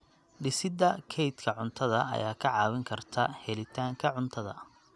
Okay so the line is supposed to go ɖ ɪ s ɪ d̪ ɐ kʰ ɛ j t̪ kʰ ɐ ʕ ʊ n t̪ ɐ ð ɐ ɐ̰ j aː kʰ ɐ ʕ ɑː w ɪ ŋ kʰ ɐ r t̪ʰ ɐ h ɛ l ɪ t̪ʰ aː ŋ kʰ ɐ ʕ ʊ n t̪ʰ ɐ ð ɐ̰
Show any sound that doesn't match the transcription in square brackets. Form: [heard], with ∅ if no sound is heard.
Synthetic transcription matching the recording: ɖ ɪ s ɪ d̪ ɐ kʰ ɛ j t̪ kʰ ɐ ʕ ʊ n [t̪ʰ] ɐ ð ɐ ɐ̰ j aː kʰ ɐ ʕ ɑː w ɪ ŋ kʰ ɐ r t̪ʰ ɐ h ɛ l ɪ t̪ʰ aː ŋ kʰ ɐ ʕ ʊ n t̪ʰ ɐ ð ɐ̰